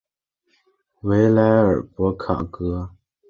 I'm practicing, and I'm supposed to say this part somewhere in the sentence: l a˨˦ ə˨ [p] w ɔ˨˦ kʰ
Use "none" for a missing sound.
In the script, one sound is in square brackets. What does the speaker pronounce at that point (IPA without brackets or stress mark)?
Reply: p